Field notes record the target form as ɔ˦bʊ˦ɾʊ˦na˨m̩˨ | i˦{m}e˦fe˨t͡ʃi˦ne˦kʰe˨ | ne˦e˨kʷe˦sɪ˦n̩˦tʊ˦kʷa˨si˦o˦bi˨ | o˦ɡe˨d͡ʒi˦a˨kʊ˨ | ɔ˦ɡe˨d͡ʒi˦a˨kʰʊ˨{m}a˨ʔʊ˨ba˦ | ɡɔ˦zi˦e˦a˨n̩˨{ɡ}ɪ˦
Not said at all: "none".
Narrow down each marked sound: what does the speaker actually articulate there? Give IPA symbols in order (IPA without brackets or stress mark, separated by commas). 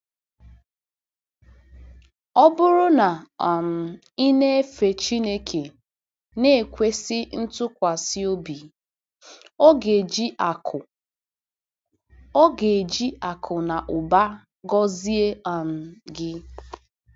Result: n, n, ɡ